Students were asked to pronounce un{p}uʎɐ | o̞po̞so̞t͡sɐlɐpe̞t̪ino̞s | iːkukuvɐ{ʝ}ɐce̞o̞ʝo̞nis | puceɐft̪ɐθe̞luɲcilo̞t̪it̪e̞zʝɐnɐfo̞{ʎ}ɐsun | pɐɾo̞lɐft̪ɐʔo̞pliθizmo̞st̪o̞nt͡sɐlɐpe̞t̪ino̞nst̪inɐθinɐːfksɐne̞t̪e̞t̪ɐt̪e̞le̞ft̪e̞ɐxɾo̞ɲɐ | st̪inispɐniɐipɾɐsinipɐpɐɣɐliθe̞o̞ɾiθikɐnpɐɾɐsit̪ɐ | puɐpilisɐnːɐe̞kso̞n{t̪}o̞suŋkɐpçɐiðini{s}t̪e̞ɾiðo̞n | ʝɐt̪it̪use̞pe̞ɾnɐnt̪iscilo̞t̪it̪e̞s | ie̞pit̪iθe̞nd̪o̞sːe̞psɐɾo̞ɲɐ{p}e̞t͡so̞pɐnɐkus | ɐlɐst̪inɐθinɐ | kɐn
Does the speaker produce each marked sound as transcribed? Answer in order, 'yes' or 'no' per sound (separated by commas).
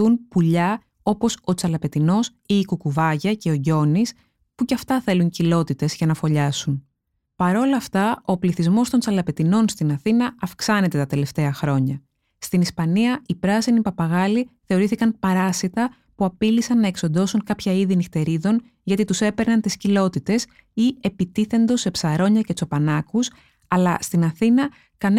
yes, yes, yes, no, no, no